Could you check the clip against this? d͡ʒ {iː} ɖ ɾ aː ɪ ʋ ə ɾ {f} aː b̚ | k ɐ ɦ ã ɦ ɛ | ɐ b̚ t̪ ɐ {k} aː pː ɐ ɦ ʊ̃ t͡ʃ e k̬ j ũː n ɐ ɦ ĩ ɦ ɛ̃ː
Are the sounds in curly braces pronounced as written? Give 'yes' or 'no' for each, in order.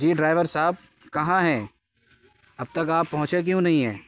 yes, no, yes

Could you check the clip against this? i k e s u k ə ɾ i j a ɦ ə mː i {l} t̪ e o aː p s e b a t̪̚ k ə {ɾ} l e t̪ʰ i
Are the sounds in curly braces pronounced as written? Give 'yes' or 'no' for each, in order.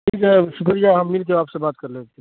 yes, yes

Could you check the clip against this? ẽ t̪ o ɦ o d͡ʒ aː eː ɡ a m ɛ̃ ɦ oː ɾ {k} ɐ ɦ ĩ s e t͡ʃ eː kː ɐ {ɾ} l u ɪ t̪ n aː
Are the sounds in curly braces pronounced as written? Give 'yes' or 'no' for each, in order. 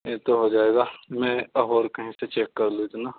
yes, yes

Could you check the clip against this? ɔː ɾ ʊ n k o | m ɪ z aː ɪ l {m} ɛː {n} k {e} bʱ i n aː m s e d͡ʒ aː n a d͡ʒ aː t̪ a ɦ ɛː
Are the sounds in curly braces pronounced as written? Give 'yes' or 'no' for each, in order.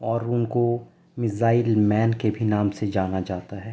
yes, yes, yes

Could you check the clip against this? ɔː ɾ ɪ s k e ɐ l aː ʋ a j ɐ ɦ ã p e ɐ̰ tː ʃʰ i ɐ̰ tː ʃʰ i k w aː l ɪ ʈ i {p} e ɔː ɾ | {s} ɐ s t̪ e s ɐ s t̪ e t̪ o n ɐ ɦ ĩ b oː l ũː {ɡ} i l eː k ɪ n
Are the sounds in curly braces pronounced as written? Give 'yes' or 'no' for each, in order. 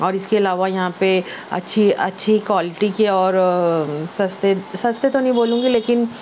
no, yes, yes

